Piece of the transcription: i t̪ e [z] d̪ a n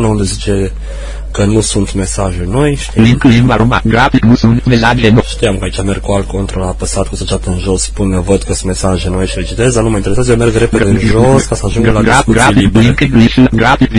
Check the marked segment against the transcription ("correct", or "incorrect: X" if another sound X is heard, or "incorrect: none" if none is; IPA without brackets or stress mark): correct